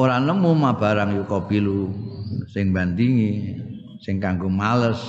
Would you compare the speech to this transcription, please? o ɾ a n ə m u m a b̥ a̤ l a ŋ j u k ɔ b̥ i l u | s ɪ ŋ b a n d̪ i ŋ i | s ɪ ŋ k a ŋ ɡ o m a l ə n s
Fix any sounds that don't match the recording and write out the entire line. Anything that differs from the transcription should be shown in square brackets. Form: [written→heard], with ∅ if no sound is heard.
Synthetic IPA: o ɾ a n ə m u m a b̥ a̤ [l→ɾ] a ŋ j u k ɔ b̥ i l u | s ɪ ŋ b a n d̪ i ŋ i | s ɪ ŋ k a ŋ ɡ o m a l ə [n→∅] s